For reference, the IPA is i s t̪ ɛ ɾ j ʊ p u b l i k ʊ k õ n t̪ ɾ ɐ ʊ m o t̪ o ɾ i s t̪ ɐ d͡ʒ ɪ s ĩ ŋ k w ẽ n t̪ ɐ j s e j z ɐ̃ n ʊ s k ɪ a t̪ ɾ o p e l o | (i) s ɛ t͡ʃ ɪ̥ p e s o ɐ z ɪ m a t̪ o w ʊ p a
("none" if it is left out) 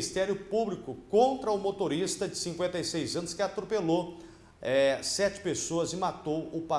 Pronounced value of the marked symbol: ɛ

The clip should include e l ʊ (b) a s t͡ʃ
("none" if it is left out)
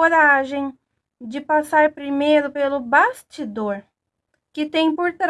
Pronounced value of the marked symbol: b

